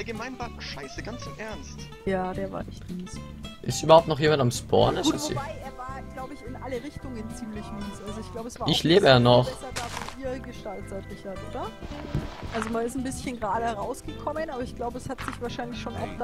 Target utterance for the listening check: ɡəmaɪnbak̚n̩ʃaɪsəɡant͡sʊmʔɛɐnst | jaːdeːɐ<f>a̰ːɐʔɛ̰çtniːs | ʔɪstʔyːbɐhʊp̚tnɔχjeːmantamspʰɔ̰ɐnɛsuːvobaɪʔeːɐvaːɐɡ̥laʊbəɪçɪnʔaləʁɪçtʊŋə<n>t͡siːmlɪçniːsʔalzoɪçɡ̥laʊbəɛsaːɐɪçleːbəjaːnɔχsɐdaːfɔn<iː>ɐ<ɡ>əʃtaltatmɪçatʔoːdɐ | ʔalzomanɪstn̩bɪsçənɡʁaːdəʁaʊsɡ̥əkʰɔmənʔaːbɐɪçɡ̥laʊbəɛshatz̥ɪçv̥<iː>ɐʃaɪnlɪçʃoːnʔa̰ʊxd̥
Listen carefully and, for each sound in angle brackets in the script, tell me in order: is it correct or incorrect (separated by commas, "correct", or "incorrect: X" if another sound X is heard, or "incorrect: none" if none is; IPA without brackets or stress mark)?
incorrect: v, correct, correct, correct, incorrect: aː